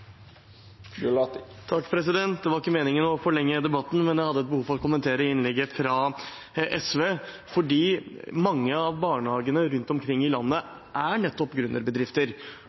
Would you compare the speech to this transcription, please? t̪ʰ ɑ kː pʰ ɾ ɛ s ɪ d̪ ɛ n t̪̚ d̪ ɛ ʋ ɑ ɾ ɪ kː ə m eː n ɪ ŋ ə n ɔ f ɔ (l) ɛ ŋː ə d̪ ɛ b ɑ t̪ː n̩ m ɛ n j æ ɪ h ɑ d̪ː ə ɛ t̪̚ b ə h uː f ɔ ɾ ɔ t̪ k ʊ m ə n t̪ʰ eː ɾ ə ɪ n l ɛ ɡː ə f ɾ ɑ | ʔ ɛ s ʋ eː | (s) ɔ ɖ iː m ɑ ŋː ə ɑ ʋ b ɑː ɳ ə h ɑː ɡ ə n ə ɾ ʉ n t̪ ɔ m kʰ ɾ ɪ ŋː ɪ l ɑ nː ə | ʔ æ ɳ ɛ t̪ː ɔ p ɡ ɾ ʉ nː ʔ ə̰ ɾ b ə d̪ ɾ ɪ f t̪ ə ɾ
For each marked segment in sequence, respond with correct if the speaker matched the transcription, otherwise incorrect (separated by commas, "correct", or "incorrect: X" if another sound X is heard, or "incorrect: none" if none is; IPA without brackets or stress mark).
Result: incorrect: ɭ, incorrect: f